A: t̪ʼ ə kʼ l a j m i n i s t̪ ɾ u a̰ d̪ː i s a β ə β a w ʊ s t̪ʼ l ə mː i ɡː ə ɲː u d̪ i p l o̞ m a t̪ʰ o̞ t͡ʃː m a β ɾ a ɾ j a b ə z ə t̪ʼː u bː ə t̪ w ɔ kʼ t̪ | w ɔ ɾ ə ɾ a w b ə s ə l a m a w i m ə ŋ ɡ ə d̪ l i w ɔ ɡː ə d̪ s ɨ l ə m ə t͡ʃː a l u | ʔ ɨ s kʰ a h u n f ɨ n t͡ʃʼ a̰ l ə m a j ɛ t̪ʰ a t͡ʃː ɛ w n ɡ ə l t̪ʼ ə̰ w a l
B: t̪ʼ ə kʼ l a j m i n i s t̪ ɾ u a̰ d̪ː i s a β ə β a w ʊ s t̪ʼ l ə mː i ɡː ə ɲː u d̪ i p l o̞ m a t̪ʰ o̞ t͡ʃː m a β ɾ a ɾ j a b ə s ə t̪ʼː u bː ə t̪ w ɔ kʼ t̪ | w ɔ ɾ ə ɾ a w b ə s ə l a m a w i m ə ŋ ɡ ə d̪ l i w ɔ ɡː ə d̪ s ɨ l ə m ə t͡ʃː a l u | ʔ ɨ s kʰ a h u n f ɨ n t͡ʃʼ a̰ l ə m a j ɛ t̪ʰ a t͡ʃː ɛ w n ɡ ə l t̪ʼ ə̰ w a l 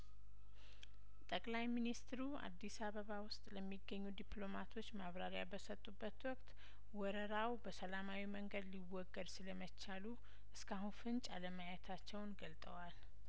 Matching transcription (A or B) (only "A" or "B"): B